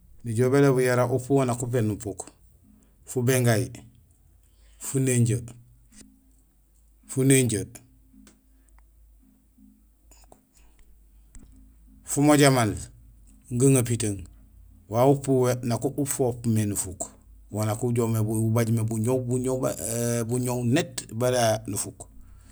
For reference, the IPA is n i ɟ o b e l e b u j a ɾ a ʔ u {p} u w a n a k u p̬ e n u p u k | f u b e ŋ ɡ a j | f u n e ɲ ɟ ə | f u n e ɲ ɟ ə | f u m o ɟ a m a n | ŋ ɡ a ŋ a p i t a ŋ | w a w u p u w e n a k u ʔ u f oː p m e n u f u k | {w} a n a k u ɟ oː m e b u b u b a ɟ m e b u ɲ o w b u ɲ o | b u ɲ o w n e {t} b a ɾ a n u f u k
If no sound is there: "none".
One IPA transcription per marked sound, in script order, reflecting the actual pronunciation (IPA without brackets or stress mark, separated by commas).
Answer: p, w, t